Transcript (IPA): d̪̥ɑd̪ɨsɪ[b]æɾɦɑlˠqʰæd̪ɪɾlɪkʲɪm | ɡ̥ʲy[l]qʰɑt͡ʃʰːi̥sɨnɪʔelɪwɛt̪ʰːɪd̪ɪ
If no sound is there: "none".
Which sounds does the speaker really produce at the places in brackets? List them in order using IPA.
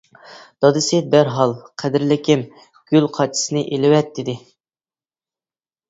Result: b, l

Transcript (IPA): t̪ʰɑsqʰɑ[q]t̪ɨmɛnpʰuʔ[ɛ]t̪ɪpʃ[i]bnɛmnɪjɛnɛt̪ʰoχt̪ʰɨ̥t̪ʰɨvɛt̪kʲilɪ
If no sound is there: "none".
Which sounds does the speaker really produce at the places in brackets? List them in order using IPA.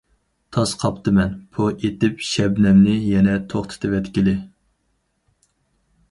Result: p, e, ɛ

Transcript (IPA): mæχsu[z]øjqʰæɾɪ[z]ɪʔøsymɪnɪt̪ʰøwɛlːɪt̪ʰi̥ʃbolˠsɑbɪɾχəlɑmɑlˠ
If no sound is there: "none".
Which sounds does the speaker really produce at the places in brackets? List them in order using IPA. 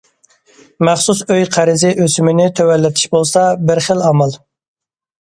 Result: s, z

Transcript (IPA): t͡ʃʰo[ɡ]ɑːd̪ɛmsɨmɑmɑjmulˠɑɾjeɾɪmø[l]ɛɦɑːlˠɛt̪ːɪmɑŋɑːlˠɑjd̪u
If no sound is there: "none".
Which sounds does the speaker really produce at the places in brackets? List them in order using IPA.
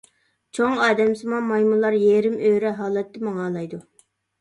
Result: ŋ, ɾ

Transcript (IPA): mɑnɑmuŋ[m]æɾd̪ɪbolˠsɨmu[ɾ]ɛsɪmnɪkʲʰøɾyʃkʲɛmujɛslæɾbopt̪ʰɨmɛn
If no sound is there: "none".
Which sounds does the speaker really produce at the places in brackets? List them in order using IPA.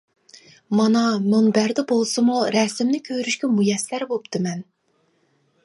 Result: b, ɾ

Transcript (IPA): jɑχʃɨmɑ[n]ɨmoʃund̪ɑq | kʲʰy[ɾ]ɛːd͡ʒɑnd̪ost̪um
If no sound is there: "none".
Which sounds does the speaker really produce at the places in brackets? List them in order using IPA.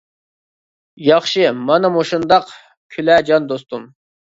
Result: n, l

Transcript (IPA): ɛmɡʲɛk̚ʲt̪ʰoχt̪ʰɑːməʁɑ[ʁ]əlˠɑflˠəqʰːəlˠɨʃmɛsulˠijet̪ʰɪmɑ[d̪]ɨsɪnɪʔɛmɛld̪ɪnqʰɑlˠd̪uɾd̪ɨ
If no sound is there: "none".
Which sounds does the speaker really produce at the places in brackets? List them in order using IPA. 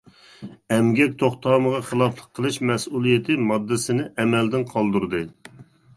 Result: χ, d̪ː

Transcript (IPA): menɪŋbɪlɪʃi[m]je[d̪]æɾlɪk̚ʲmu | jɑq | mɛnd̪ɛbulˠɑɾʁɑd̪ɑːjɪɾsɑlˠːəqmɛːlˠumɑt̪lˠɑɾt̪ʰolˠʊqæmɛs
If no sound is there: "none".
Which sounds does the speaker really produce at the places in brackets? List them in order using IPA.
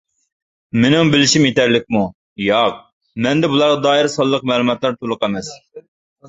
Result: m, t̪

